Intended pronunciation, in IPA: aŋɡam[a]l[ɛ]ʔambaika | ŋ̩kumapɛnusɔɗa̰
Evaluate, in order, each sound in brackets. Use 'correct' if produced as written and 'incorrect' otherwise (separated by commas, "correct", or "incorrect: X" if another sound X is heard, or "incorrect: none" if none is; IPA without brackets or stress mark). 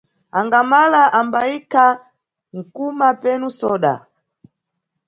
correct, incorrect: a